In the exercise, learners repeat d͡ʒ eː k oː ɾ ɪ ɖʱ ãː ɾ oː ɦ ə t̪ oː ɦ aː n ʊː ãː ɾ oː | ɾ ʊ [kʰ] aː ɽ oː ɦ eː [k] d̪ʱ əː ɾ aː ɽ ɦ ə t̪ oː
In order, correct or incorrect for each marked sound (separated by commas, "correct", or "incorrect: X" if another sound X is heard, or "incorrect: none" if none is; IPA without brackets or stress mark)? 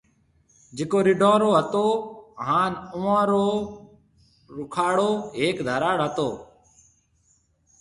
correct, correct